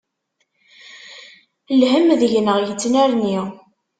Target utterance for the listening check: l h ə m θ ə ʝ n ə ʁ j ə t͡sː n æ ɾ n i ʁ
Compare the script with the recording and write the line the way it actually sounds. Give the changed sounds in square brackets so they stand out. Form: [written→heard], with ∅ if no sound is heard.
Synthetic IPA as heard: l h ə m [θ→ð] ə ʝ n ə ʁ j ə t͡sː n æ ɾ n i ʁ